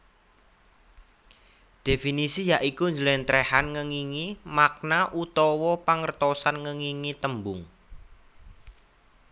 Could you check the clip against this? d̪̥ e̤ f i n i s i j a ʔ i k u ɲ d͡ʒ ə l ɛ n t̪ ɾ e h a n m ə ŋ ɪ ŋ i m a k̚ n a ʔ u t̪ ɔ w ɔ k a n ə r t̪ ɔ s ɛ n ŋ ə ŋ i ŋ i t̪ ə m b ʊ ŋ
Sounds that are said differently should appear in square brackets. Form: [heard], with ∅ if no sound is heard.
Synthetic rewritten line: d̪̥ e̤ f i n i s i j a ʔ i k u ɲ d͡ʒ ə l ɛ n t̪ ɾ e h a n [ŋ] ə ŋ [i] ŋ i m a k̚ n a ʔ u t̪ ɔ w ɔ [p] a [ŋ] ə r t̪ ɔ s [a] n ŋ ə ŋ i ŋ i t̪ ə m b ʊ ŋ